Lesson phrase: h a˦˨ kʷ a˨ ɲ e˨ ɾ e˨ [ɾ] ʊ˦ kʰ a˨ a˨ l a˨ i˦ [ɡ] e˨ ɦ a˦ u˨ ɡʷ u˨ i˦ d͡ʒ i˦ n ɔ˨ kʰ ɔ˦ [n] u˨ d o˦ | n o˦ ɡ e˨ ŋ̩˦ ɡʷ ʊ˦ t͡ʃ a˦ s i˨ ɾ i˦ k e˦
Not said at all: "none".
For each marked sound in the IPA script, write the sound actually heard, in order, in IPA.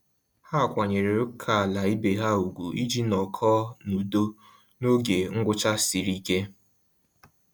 ɾ, b, n

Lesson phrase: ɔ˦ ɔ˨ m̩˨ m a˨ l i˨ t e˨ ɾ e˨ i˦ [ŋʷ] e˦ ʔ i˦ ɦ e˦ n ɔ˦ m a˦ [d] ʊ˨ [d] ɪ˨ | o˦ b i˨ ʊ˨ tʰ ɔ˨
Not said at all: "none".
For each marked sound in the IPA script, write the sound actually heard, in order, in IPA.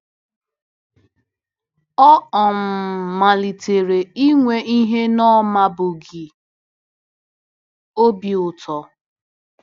ŋʷ, b, ɡ

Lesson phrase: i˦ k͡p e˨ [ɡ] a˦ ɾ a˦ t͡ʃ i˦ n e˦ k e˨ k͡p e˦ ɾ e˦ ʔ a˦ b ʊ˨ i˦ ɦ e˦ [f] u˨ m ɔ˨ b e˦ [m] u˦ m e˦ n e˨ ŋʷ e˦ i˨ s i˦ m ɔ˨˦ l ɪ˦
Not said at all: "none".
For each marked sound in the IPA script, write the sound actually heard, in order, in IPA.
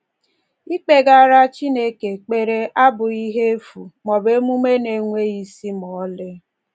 ɡ, f, m

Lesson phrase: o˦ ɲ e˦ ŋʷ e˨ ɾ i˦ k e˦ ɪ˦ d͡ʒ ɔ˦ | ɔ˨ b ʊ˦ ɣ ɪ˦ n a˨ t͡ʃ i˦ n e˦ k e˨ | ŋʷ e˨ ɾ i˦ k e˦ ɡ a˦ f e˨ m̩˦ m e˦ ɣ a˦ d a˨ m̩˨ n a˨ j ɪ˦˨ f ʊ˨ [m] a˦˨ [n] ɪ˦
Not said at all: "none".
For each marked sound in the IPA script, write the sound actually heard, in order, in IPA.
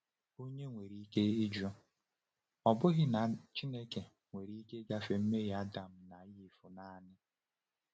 n, n

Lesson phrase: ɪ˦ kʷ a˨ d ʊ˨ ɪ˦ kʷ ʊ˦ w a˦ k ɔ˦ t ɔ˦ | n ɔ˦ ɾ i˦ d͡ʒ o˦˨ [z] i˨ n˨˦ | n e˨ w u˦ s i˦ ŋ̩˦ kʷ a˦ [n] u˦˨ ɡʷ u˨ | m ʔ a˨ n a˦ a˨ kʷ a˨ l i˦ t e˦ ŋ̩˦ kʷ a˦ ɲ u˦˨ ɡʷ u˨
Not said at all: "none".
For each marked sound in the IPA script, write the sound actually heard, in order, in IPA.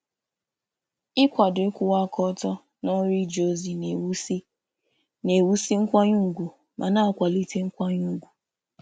z, ɲ

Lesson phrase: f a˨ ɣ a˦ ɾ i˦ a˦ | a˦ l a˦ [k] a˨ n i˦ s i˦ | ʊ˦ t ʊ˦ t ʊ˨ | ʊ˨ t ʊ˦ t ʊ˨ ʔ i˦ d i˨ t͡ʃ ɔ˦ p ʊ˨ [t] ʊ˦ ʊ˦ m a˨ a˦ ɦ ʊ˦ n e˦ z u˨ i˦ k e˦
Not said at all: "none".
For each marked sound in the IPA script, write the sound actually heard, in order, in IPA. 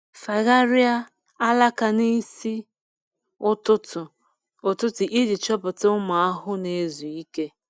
k, t

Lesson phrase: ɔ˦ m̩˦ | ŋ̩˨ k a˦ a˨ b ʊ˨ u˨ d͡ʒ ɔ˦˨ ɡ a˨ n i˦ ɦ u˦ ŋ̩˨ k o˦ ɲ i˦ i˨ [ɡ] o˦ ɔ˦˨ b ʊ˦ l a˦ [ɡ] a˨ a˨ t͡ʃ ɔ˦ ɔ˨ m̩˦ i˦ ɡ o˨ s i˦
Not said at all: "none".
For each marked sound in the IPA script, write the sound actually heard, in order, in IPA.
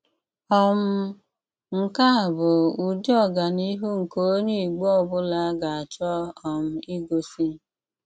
ɡ͡b, ɡ

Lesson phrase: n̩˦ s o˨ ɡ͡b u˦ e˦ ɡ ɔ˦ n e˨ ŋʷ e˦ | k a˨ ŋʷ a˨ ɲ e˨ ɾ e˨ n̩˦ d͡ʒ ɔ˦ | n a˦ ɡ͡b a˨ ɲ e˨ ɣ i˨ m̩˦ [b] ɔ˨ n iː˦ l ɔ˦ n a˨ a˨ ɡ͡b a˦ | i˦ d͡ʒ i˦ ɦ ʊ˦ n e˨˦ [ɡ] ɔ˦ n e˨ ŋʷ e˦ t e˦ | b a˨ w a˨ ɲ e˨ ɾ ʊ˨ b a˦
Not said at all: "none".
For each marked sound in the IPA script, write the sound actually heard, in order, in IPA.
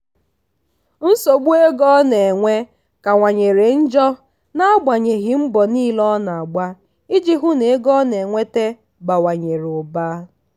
b, ɡ

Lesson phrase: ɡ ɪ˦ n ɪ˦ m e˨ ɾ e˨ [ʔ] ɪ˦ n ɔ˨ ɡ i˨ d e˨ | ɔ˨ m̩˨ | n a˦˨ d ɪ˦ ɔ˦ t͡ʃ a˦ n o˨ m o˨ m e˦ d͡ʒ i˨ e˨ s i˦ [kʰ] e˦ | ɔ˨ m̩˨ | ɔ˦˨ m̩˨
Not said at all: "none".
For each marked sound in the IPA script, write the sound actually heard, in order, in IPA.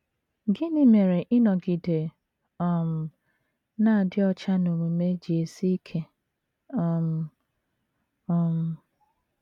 ʔ, kʰ

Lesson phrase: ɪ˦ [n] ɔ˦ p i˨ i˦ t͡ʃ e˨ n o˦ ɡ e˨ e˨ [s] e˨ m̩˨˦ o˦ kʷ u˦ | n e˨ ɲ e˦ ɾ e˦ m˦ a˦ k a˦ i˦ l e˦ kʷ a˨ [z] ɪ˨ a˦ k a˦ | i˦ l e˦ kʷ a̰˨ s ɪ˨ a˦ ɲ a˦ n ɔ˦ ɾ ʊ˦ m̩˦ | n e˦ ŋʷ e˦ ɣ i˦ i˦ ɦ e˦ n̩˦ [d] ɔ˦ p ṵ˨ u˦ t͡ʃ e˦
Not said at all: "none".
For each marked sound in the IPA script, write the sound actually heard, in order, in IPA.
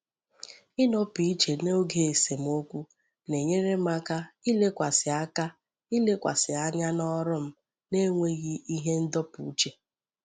n, s, s, d

